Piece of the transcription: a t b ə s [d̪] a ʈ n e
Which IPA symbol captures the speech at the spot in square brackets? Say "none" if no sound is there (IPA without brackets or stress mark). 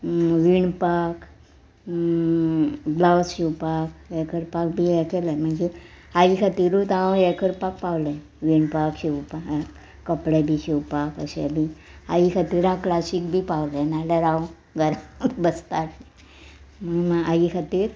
t̪